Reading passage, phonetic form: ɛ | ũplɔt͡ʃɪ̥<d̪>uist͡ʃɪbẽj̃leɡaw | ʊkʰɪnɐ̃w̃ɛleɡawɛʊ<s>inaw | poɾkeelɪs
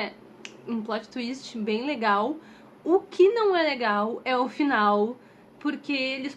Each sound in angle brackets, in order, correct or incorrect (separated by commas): incorrect, incorrect